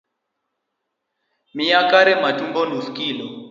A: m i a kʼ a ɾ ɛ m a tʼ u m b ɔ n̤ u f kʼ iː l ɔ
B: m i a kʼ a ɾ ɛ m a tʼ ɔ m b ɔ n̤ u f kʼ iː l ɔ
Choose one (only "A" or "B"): A